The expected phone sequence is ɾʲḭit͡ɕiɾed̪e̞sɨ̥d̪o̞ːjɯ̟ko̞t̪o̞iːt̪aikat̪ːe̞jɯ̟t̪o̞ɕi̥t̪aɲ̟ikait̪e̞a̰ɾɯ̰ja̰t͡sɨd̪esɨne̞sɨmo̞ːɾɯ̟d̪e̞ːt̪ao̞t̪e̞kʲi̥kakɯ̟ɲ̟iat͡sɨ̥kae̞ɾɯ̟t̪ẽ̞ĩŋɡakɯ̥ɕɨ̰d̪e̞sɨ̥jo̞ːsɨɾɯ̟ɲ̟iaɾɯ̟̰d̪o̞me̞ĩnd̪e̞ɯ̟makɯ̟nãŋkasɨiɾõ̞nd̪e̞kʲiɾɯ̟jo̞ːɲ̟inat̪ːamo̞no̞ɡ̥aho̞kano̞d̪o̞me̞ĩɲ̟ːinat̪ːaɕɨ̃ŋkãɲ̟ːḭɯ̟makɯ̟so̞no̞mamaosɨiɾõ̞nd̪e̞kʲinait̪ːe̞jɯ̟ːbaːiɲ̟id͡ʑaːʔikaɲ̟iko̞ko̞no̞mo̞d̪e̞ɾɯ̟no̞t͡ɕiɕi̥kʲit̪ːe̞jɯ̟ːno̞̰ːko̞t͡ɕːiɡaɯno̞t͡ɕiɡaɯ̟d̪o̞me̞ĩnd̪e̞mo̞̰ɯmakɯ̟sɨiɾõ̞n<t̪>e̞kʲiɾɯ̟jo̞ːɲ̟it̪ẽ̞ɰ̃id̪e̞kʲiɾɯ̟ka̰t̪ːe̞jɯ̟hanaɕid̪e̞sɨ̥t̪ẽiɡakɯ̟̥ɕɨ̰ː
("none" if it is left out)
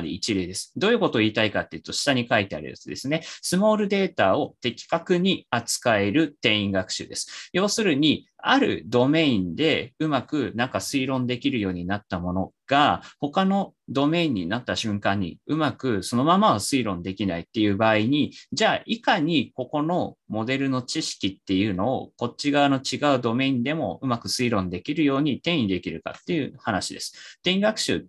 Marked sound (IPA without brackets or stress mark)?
d̪